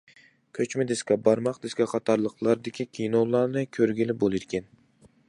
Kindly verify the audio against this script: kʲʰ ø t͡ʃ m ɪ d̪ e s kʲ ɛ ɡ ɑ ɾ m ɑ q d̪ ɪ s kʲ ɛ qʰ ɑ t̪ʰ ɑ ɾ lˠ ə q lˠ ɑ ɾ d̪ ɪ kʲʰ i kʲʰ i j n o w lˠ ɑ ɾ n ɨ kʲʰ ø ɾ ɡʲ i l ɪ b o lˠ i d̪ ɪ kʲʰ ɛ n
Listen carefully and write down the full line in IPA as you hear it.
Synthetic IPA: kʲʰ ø t͡ʃ m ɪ d̪ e s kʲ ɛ b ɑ ɾ m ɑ q d̪ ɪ s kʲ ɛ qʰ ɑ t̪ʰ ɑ ɾ lˠ ə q lˠ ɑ ɾ d̪ ɪ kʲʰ i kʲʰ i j n o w lˠ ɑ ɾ n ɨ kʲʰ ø ɾ ɡʲ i l ɪ b o lˠ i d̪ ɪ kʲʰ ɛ n